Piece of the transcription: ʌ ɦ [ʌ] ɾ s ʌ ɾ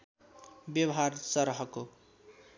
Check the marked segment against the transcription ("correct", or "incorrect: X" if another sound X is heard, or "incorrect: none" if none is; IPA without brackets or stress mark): incorrect: a